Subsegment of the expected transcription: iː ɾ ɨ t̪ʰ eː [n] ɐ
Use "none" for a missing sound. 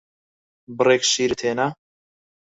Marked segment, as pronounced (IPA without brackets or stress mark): n